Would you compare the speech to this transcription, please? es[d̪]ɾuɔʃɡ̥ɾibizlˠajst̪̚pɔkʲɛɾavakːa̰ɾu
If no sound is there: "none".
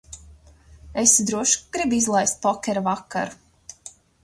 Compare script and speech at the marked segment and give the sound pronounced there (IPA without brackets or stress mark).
d̪